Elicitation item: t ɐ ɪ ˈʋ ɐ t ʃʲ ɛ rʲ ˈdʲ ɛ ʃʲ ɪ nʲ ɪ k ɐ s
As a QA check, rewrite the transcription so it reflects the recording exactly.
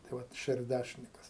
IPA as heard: t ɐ ɪ ˈʋ ɐ t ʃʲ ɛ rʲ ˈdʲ æ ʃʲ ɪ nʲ ɪ k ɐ s